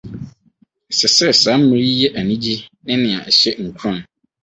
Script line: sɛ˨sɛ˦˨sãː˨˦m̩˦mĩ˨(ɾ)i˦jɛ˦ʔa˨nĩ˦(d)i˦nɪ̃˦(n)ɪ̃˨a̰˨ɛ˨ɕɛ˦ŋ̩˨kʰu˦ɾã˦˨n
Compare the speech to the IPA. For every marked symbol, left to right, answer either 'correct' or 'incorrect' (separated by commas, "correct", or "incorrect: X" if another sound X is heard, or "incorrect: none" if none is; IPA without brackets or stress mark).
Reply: correct, incorrect: d͡ʑ, correct